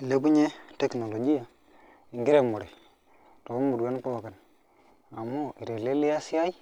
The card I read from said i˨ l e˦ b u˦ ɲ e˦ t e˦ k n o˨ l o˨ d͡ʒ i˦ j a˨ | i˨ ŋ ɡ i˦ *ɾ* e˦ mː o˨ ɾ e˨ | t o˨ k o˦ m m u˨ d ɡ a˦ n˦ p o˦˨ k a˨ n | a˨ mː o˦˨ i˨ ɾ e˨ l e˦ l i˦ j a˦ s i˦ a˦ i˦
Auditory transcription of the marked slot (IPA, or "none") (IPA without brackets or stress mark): ɾ